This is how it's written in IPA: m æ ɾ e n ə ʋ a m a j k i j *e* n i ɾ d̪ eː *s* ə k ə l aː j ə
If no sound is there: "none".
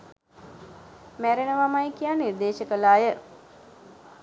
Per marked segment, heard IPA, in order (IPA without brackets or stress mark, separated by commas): a, ʃ